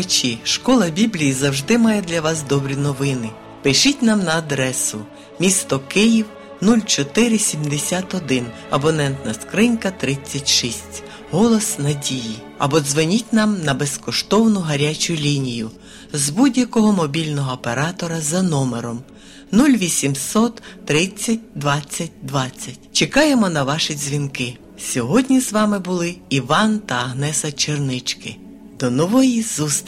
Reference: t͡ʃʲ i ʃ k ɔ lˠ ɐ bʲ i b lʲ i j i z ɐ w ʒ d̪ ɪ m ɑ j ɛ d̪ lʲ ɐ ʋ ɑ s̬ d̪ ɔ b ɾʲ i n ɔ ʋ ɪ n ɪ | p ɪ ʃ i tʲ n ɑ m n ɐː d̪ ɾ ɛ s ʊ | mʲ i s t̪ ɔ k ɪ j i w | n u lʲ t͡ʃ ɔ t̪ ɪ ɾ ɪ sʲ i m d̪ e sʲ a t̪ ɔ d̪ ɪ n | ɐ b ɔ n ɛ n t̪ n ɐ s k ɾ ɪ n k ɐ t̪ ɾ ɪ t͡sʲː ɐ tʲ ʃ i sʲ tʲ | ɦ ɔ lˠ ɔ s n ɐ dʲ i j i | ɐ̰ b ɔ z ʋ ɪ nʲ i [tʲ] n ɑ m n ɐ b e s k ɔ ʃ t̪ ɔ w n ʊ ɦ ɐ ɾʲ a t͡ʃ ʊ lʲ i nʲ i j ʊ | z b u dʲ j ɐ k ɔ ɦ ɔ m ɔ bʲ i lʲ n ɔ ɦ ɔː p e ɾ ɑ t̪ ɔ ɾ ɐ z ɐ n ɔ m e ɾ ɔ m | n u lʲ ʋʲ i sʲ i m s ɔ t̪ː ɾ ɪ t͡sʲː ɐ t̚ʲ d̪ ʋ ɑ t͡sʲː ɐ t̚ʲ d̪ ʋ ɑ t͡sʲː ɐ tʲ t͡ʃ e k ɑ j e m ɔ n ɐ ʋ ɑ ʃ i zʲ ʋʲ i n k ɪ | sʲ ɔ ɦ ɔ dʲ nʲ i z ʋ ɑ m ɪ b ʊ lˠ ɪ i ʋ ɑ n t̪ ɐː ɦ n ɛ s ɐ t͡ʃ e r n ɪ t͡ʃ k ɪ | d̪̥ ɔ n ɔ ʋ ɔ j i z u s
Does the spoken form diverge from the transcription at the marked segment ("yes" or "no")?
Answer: no